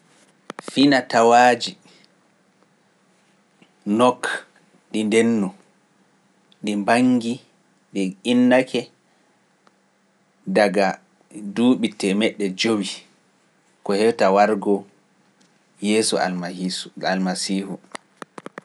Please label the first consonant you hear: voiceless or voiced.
voiceless